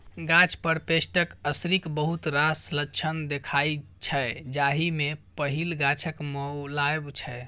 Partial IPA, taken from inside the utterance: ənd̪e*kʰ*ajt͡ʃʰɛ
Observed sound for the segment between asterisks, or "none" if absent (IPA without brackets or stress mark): kʰ